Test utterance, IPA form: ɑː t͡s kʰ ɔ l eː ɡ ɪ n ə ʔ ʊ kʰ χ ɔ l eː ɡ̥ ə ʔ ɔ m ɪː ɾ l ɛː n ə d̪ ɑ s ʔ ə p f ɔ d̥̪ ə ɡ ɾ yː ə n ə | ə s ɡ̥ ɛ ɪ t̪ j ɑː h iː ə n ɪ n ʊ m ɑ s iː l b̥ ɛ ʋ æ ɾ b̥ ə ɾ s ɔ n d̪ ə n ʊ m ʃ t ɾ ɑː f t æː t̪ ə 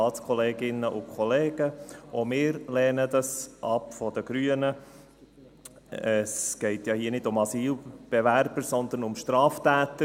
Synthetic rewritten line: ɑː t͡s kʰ ɔ l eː ɡ ɪ n ə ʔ ʊ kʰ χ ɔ l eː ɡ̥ ə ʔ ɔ m ɪː ɾ l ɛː n ə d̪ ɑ s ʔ ɑ p f ɔ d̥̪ ə ɡ ɾ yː ə n ə | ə s ɡ̥ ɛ ɪ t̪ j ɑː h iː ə n ɪ d ʊ m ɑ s iː l b̥ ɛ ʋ æ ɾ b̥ ə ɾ s ɔ n d̪ ə n ʊ m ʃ t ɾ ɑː f t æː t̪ ə